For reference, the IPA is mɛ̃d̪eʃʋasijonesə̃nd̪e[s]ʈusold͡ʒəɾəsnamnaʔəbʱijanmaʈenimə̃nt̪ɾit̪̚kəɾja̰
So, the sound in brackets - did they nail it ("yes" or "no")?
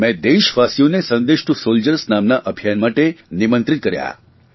no